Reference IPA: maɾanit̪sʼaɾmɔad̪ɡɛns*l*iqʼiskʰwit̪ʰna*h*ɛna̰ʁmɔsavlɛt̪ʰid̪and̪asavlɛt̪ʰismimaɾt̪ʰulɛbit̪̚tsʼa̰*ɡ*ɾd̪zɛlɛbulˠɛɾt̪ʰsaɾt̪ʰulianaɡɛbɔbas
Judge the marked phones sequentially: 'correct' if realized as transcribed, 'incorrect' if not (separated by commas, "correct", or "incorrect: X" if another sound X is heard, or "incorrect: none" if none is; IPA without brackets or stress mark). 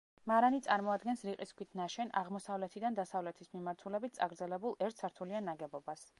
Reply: incorrect: ɾ, incorrect: ʃ, correct